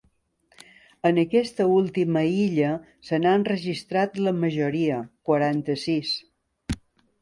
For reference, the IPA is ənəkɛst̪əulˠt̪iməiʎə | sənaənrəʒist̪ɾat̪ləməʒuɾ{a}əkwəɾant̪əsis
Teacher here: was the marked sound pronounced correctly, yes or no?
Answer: no